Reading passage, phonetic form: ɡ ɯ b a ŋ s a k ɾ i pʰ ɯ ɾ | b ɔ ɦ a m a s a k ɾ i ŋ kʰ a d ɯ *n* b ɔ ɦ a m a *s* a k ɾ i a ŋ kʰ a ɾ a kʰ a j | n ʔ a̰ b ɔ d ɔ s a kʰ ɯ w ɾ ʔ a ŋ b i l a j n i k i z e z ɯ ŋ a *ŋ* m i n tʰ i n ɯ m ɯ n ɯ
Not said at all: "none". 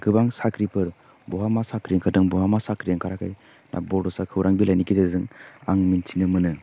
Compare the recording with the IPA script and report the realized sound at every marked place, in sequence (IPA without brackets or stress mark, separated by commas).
ŋ, s, ŋ